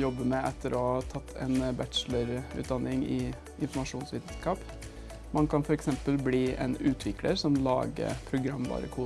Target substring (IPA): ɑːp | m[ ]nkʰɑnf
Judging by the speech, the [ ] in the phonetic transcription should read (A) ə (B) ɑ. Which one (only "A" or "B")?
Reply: B